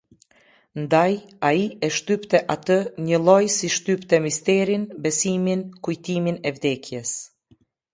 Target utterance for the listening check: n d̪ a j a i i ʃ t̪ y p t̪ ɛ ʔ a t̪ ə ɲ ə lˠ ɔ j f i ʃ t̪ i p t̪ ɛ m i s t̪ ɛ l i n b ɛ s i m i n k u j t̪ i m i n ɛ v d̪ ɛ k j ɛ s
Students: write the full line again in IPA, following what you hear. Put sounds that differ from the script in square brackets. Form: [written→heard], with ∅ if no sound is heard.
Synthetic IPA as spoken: n d̪ a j a i [i→ɛ] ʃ t̪ y p t̪ ɛ ʔ a t̪ ə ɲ ə lˠ ɔ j [f→s] i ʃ t̪ [i→y] p t̪ ɛ m i s t̪ ɛ [l→ɾ] i n b ɛ s i m i n k u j t̪ i m i n ɛ v d̪ ɛ k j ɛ s

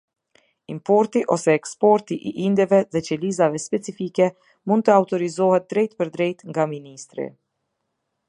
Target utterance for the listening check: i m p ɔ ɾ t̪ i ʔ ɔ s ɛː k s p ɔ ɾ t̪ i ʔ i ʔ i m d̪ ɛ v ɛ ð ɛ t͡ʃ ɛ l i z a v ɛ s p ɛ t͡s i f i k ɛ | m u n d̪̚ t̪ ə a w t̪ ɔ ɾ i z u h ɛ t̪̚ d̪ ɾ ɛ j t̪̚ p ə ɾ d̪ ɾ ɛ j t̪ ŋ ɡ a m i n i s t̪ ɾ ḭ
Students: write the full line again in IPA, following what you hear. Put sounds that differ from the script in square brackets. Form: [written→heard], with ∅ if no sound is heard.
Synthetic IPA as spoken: i m p ɔ ɾ t̪ i ʔ ɔ s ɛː k s p ɔ ɾ t̪ i ʔ i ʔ i [m→n] d̪ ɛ v ɛ ð ɛ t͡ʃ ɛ l i z a v ɛ s p ɛ t͡s i f i k ɛ | m u n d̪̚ t̪ ə a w t̪ ɔ ɾ i z [u→ɔ] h ɛ t̪̚ d̪ ɾ ɛ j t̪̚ p ə ɾ d̪ ɾ ɛ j t̪ ŋ ɡ a m i n i s t̪ ɾ ḭ

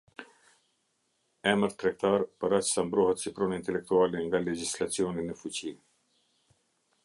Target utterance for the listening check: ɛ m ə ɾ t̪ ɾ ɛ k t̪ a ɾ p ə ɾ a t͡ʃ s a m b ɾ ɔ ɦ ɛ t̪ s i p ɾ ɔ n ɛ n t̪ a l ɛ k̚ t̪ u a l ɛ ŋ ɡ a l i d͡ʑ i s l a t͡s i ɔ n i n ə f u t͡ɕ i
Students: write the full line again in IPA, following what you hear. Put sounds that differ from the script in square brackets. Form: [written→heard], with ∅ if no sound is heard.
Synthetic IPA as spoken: ɛ m ə ɾ t̪ ɾ ɛ k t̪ a ɾ p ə ɾ a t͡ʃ s a m b ɾ ɔ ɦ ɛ t̪ s i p ɾ ɔ n [ɛ→i] n t̪ [a→ɛ] l ɛ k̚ t̪ u a l ɛ ŋ ɡ a l [i→ɛ] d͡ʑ i s l a t͡s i ɔ n i n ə f u t͡ɕ i

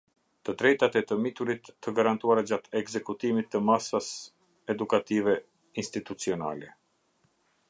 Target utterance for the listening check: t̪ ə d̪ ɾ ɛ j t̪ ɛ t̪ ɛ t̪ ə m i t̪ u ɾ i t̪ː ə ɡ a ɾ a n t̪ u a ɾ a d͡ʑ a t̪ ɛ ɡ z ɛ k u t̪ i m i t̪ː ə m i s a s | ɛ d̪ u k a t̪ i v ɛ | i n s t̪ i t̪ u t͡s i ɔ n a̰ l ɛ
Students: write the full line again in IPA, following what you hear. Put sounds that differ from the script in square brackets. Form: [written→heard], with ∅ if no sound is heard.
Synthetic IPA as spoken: t̪ ə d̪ ɾ ɛ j t̪ [ɛ→a] t̪ ɛ t̪ ə m i t̪ u ɾ i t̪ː ə ɡ a ɾ a n t̪ u a ɾ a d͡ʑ a t̪ ɛ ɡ z ɛ k u t̪ i m i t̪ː ə m [i→a] s a s | ɛ d̪ u k a t̪ i v ɛ | i n s t̪ i t̪ u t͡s i ɔ n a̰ l ɛ

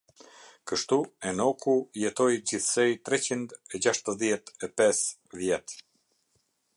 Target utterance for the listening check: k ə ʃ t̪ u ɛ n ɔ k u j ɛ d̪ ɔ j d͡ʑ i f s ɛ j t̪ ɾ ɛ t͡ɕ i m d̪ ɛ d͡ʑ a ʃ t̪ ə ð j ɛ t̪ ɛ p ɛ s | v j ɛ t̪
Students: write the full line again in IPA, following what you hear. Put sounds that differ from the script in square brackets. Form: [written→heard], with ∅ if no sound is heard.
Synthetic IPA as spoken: k ə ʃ t̪ u ɛ n ɔ k u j ɛ [d̪→t̪] ɔ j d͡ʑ i [f→θ] s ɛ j t̪ ɾ ɛ t͡ɕ i [m→n] d̪ ɛ d͡ʑ a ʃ t̪ ə ð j ɛ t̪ ɛ p ɛ s | v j ɛ t̪

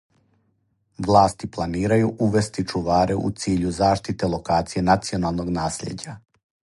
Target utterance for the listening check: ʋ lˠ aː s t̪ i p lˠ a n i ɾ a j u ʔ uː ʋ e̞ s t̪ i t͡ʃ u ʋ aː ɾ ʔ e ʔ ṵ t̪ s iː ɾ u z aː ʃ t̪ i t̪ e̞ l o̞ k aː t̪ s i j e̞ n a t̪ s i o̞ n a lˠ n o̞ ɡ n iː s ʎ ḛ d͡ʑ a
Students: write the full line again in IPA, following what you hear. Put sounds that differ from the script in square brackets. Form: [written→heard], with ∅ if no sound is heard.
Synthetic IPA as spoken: ʋ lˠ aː s t̪ i p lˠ a n [i→iː] ɾ a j u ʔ [uː→u] ʋ e̞ s t̪ i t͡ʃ u ʋ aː ɾ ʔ e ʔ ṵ t̪ s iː [ɾ→ʎ] u z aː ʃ t̪ i t̪ e̞ l o̞ k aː t̪ s i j e̞ n a t̪ s i o̞ n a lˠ n o̞ ɡ n [iː→aː] s ʎ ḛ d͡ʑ a

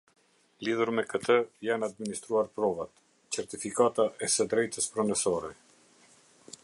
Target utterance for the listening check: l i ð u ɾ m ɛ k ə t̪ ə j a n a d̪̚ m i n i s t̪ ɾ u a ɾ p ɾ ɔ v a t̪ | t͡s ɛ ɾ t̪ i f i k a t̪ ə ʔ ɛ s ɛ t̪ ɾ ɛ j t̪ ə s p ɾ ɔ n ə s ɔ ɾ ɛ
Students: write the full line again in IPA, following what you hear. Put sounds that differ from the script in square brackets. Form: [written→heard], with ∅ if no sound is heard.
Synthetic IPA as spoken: l i ð u ɾ m ɛ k ə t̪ ə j a n a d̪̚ m i n i s t̪ ɾ u a ɾ p ɾ ɔ v a t̪ | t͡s ɛ ɾ t̪ i f i k a t̪ [ə→a] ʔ ɛ s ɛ [t̪→d̪] ɾ ɛ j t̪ ə s p ɾ ɔ n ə s ɔ ɾ ɛ

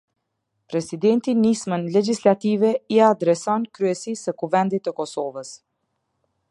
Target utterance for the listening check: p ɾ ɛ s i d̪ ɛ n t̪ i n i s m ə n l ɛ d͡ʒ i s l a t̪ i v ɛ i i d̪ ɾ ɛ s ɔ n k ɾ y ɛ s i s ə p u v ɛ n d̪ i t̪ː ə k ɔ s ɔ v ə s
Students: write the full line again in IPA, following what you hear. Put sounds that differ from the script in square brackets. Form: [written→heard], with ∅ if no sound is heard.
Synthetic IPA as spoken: p ɾ ɛ s i d̪ ɛ n t̪ i n i s m ə n l ɛ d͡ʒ i s l a t̪ i v ɛ i [i→a] d̪ ɾ ɛ s ɔ n k ɾ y ɛ s i s ə [p→k] u v ɛ n d̪ i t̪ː ə k ɔ s ɔ v ə s

